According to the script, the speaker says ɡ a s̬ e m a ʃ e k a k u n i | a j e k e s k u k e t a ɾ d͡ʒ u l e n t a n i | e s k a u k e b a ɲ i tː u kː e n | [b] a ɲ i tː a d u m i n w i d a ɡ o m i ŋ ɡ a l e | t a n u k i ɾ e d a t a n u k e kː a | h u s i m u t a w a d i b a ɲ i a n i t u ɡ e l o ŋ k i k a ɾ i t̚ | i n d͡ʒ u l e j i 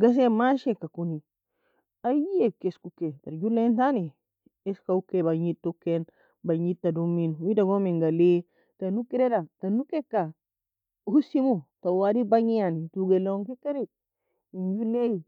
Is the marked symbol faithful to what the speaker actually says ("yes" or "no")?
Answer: yes